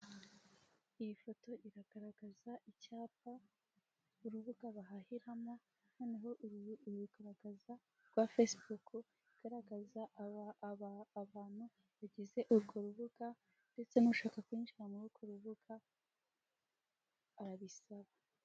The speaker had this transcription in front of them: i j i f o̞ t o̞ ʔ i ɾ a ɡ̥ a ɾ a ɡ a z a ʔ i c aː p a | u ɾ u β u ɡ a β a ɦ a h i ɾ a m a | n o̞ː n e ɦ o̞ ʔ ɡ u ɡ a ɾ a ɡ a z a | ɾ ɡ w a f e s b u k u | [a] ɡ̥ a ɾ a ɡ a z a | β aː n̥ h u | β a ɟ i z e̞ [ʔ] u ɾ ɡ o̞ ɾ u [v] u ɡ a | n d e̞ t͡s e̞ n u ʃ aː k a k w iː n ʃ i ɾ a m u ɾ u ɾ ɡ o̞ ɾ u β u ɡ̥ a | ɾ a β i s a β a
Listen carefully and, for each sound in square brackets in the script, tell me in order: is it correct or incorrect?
incorrect: i, correct, incorrect: β

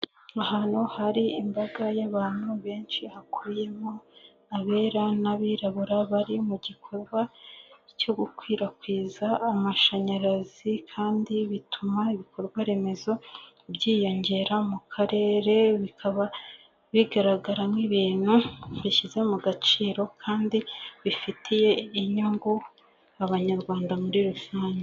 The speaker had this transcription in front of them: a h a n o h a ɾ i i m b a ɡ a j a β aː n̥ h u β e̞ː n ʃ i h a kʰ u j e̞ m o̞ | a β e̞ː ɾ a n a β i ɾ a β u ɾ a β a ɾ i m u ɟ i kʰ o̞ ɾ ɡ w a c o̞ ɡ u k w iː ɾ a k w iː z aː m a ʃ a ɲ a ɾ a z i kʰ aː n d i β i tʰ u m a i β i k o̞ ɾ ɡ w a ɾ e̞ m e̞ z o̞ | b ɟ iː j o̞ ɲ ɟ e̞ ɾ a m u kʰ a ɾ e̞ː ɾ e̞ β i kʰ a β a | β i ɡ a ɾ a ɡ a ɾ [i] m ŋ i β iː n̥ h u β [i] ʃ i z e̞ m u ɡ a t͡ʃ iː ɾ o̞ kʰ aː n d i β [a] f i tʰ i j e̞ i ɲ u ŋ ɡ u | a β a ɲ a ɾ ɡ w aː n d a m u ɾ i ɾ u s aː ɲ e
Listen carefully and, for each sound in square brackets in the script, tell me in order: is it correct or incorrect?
incorrect: a, correct, incorrect: i

